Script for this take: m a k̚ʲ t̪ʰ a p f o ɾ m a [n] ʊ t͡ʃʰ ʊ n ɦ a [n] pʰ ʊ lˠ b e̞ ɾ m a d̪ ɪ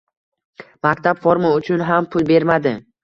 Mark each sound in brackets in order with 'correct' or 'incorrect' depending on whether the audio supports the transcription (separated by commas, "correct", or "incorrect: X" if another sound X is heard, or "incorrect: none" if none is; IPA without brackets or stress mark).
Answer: incorrect: none, incorrect: m